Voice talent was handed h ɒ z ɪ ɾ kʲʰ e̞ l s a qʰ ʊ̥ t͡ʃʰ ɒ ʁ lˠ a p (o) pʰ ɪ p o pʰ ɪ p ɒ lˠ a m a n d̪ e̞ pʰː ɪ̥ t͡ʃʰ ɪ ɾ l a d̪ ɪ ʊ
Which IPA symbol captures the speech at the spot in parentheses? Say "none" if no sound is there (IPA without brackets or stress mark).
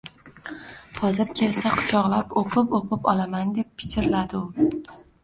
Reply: o